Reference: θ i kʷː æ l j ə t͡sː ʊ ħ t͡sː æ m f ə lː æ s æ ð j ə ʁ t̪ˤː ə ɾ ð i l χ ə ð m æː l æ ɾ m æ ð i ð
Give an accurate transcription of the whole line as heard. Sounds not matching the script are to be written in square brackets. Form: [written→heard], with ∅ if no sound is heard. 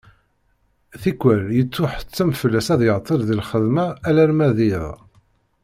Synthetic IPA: θ i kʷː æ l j ə t͡sː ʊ ħ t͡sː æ m f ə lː æ s æ ð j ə ʁ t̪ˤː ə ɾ ð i l χ ə ð m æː l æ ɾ m æ ð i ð

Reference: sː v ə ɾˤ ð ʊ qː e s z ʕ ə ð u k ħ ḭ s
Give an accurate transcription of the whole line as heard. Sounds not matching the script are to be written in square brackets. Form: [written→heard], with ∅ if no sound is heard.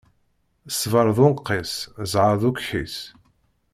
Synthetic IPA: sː v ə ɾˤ ð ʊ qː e s z ʕ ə ð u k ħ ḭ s

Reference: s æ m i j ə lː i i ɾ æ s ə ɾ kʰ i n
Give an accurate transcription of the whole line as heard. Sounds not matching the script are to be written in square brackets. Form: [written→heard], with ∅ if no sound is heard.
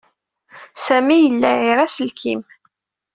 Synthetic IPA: s æ m i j ə lː [i→æ] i ɾ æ s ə [ɾ→l] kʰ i [n→m]

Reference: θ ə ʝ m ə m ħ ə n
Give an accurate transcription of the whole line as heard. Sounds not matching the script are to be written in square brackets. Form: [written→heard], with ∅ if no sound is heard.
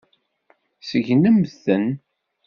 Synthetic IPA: [θ→s] ə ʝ [m→n] ə m [ħ→θ] ə n

